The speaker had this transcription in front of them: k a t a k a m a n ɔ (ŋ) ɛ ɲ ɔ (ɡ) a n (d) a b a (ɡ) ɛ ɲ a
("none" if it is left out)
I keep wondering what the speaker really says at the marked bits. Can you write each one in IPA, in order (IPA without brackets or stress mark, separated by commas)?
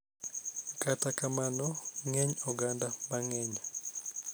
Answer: ŋ, ɡ, d, ŋ